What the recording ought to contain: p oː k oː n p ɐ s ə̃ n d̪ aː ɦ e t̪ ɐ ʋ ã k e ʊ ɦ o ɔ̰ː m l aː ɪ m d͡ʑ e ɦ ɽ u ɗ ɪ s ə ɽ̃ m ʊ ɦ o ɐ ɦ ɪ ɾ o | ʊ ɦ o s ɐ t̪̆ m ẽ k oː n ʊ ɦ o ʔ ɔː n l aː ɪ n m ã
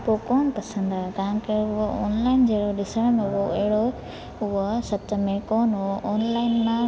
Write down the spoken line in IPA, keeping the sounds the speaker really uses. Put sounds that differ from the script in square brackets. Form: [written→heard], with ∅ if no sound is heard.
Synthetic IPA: p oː k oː n p ɐ s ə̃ n d̪ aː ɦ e t̪ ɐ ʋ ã k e ʊ ɦ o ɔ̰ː [m→n] l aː ɪ [m→n] d͡ʑ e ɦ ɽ [u→o] ɗ ɪ s ə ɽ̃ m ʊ ɦ o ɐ ɦ ɪ [ɾ→ɽ] o | ʊ ɦ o s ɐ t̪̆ m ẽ k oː n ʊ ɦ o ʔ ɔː n l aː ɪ n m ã